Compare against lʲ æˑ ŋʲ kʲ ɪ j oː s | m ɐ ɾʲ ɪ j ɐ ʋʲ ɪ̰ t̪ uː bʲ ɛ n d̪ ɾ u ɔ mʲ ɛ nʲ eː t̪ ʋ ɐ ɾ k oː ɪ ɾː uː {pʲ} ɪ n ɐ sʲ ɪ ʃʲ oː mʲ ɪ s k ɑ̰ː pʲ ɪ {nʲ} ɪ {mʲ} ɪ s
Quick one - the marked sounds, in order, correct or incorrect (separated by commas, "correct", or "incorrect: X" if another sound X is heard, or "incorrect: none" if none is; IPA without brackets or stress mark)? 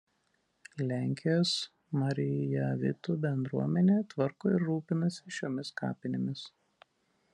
correct, correct, correct